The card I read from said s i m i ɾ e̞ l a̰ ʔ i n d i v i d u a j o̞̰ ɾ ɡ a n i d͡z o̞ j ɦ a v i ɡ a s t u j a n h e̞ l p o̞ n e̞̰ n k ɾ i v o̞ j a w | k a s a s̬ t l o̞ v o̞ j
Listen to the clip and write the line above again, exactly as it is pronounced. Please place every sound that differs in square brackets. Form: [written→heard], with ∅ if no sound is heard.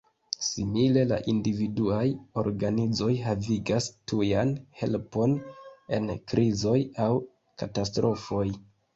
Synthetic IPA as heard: s i m i [ɾ→l] e̞ l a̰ ʔ i n d i v i d u a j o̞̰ ɾ ɡ a n i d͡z o̞ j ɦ a v i ɡ a s t u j a n h e̞ l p o̞ n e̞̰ n k ɾ i [v→z] o̞ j a w | k a [s→t] a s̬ t [l→ɾ] o̞ [v→f] o̞ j